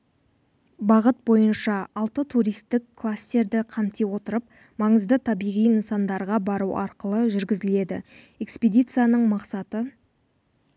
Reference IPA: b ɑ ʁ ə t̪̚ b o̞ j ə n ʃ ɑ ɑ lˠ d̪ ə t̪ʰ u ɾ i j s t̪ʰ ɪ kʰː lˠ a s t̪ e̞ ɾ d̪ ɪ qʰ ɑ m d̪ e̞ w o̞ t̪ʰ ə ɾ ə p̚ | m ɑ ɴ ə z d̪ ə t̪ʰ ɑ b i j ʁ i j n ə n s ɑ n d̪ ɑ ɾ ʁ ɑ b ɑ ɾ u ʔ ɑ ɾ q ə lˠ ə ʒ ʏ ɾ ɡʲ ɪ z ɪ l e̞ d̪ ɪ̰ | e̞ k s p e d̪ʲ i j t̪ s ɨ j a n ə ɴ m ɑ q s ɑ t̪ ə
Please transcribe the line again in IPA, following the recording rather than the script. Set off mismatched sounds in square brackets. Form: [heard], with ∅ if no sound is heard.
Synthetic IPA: b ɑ ʁ ə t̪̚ b o̞ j ə n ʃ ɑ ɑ lˠ [t̪] ə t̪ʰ u ɾ i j s [t̪] ɪ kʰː lˠ a s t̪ e̞ ɾ d̪ ɪ qʰ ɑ m [t̪] e̞ w o̞ [t̪] ə ɾ ə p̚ | m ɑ ɴ ə z d̪ ə t̪ʰ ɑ b i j ʁ i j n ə n s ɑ n d̪ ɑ ɾ ʁ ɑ b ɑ ɾ u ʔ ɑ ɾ q ə lˠ ə ʒ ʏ ɾ ɡʲ ɪ z ɪ l e̞ d̪ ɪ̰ | e̞ k s p e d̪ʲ i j t̪ s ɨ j a n ə ɴ m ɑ q s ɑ t̪ ə